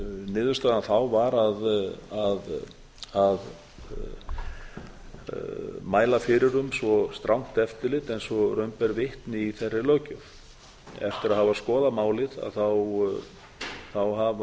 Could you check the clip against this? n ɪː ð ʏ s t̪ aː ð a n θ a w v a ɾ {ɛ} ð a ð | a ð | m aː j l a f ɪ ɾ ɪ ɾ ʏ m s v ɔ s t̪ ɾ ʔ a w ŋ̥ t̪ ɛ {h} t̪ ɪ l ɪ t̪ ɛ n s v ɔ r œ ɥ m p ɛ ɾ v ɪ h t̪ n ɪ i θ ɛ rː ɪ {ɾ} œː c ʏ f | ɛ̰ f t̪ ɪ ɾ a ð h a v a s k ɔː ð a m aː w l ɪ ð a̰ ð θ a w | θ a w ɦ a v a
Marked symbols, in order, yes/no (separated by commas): no, no, no